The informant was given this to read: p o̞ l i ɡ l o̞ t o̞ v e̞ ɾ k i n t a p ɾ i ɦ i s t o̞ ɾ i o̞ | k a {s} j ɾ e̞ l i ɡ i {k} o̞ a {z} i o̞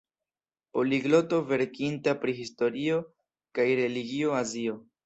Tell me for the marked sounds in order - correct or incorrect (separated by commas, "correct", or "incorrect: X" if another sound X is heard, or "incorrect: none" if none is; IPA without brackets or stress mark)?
incorrect: none, incorrect: none, correct